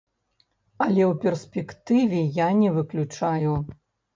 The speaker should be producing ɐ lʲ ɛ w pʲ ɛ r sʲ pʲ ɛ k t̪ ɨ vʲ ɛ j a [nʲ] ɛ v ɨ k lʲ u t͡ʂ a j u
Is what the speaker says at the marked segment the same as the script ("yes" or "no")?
yes